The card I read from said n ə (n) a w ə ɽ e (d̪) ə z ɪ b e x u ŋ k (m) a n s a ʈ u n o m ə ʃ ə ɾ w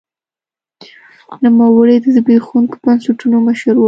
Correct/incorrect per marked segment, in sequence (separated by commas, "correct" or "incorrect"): incorrect, correct, incorrect